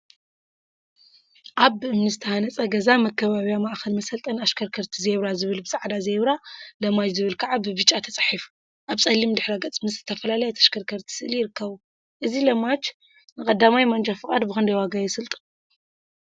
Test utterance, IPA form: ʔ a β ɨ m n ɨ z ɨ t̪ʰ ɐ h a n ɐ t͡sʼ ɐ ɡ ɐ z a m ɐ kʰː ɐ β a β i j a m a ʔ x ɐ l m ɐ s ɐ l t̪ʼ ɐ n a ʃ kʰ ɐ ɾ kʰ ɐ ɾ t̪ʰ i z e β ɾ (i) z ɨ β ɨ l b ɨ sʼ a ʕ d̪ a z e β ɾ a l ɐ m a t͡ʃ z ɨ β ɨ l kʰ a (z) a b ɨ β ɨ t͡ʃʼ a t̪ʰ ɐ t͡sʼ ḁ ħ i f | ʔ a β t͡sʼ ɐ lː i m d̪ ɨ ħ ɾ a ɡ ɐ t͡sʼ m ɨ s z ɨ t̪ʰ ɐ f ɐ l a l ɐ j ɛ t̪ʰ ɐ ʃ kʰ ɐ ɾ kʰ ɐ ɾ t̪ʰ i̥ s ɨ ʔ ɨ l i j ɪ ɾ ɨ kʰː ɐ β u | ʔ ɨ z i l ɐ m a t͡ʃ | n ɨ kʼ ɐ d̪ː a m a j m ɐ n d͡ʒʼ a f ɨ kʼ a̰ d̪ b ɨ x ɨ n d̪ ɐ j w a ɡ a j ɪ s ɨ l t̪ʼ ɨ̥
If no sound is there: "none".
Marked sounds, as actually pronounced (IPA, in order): a, ʕ

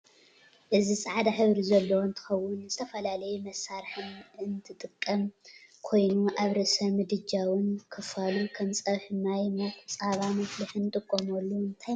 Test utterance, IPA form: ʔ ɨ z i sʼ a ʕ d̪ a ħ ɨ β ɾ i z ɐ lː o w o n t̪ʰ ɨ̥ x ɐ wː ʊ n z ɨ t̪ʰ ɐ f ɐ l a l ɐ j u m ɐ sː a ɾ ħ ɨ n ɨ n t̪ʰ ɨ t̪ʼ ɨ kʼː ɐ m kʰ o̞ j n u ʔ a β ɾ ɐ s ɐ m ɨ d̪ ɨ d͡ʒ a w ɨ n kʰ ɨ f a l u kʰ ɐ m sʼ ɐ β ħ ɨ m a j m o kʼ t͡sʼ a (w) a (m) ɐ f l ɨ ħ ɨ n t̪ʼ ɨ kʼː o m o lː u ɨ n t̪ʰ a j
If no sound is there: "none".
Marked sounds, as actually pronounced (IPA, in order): β, m

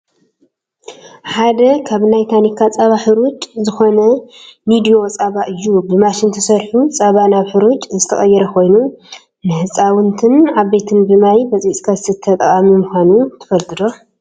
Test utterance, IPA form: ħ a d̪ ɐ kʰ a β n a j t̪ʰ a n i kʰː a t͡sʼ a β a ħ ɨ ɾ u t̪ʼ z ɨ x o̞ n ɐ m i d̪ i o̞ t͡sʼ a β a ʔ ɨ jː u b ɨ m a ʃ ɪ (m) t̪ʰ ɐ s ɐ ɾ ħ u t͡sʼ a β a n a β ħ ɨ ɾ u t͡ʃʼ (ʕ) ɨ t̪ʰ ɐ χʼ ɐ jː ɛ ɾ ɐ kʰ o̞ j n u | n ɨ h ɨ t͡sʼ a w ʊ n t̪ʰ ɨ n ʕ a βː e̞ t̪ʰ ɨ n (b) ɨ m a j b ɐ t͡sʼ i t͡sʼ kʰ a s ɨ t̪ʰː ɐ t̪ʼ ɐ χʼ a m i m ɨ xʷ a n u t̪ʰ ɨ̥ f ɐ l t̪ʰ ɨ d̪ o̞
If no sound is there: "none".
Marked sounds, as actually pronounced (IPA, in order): n, z, b

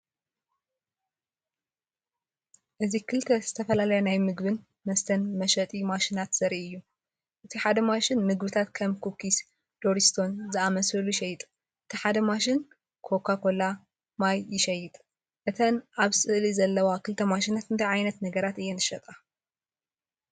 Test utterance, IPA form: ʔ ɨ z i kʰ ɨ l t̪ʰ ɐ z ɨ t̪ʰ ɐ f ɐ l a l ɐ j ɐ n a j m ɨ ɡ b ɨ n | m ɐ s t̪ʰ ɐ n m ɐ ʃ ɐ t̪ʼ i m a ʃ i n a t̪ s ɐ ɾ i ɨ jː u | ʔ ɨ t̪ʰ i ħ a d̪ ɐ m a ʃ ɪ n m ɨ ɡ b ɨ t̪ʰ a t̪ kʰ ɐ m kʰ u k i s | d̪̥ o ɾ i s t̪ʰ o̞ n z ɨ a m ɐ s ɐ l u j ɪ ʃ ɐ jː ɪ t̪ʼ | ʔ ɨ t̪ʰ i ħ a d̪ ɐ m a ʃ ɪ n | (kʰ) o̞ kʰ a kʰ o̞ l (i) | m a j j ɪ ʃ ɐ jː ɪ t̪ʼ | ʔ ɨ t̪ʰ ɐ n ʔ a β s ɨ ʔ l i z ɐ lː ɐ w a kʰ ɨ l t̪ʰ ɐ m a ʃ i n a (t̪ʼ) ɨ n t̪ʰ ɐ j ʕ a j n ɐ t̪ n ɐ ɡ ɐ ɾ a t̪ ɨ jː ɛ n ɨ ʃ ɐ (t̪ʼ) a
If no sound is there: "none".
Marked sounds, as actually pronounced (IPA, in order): kʰ, a, t̪, t̪ʼ

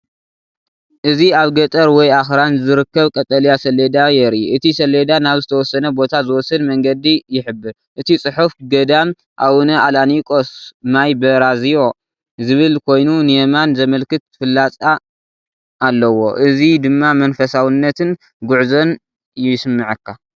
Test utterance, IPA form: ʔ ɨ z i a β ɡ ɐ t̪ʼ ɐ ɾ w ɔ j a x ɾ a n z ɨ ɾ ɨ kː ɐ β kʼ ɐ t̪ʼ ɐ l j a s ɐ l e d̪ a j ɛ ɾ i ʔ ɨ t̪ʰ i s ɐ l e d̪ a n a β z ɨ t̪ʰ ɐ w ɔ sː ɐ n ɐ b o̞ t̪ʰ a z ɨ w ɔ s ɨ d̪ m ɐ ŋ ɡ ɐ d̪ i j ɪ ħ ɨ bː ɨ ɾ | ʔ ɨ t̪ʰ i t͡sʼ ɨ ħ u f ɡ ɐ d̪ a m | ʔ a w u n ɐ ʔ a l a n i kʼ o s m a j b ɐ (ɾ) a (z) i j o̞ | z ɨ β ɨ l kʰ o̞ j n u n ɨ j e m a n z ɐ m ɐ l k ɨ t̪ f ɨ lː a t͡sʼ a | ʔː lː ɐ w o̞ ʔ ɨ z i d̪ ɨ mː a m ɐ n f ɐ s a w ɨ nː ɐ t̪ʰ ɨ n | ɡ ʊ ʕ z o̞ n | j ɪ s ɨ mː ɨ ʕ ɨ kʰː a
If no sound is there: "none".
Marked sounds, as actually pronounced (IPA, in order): ɾ, z

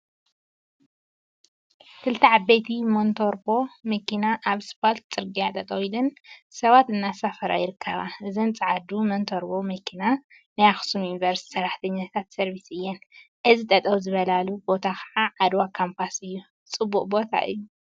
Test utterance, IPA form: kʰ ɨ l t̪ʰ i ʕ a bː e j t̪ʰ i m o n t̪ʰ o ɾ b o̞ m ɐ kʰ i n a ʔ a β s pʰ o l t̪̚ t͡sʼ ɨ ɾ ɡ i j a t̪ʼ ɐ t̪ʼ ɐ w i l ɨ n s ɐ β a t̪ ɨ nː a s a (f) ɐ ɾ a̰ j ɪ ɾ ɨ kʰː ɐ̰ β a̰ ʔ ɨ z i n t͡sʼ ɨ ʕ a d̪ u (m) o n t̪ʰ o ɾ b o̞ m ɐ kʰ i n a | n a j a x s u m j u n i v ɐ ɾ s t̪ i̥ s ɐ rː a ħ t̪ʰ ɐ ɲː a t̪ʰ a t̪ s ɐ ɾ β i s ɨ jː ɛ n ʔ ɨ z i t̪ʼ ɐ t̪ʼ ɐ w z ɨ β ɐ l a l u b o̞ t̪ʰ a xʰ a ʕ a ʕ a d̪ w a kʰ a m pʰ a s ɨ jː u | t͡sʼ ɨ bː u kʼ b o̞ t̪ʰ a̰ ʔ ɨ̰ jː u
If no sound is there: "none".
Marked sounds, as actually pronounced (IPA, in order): f, m

